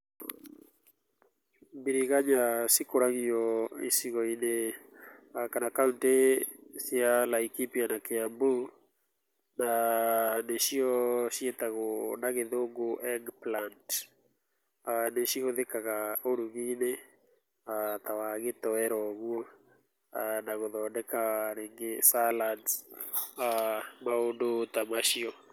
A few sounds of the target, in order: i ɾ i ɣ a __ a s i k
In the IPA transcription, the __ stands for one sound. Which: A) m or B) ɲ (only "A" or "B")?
B